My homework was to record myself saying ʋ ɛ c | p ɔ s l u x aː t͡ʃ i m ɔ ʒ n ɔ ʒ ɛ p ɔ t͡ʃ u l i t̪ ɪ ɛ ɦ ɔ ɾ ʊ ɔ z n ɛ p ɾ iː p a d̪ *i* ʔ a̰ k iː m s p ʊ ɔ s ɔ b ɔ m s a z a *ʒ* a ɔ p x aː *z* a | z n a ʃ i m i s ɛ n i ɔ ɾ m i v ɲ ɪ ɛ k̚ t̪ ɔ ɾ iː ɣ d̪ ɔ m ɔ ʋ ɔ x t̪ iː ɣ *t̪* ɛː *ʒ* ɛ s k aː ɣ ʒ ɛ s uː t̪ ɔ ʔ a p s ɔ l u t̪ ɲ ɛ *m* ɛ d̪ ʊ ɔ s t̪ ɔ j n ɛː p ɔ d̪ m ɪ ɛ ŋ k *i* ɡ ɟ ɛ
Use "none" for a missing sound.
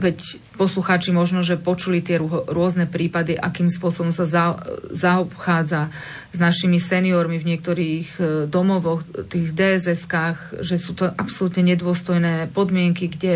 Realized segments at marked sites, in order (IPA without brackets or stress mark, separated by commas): i, z, d͡z, d̪, z, ɲ, i